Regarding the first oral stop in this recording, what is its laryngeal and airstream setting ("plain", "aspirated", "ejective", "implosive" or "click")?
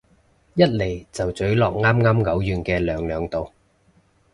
plain